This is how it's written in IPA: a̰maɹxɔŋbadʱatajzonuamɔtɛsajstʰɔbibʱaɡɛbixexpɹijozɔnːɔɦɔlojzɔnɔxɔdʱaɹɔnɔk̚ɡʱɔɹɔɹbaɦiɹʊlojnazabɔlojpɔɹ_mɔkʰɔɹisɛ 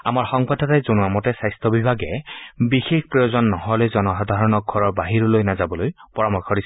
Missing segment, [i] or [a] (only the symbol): a